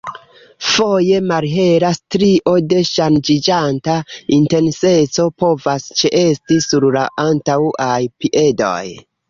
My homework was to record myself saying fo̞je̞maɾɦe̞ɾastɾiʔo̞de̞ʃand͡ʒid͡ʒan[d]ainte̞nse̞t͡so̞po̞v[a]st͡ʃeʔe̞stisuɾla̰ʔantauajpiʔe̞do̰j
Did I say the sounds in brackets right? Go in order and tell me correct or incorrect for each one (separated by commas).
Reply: incorrect, correct